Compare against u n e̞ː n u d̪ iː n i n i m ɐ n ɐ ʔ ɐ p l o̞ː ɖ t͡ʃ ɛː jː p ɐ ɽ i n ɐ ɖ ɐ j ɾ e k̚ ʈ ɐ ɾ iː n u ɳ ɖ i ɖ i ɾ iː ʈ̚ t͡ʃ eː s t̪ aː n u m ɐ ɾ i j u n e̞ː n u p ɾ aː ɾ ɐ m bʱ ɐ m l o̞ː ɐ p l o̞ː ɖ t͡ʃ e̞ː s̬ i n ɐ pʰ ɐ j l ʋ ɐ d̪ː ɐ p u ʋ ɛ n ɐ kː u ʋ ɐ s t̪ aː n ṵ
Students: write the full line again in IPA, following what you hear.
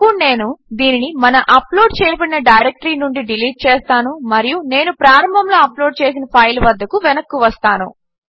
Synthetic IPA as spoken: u n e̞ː n u d̪ iː n i n i m ɐ n ɐ ʔ ɐ p l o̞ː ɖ t͡ʃ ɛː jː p ɐ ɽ i n ɐ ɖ ɐ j ɾ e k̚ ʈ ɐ ɾ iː n u ɳ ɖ i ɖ i l iː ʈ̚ t͡ʃ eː s t̪ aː n u m ɐ ɾ i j u n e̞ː n u p ɾ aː ɾ ɐ m bʱ ɐ m l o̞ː ɐ p l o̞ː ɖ t͡ʃ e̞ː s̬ i n ɐ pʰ ɐ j l ʋ ɐ d̪ː ɐ k u ʋ ɛ n ɐ kː u ʋ ɐ s t̪ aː n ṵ